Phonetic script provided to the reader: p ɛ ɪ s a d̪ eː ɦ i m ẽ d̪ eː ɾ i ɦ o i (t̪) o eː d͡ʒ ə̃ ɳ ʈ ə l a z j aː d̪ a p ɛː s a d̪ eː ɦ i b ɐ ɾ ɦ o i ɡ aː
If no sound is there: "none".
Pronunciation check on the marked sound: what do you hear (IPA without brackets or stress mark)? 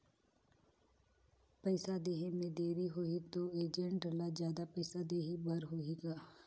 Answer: t̪